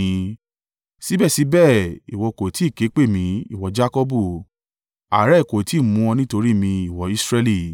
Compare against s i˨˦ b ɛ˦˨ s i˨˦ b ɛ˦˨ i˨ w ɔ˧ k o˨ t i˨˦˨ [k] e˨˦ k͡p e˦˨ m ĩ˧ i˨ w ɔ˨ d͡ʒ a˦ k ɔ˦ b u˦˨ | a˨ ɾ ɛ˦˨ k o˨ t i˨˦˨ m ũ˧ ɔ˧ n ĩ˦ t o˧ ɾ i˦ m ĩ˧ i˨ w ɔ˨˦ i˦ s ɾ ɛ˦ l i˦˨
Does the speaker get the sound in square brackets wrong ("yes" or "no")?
no